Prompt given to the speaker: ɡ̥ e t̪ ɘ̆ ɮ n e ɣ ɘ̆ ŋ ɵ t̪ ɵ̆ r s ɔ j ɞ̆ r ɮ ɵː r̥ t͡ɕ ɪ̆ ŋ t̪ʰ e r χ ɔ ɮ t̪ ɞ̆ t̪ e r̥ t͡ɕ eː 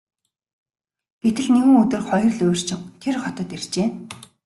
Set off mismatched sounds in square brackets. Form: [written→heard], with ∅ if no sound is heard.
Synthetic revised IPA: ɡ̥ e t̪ ɘ̆ ɮ n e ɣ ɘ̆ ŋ ɵ t̪ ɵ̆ r [s→χ] ɔ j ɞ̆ r ɮ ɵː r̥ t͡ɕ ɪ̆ ŋ t̪ʰ e r χ ɔ [ɮ→∅] t̪ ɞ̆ t̪ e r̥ t͡ɕ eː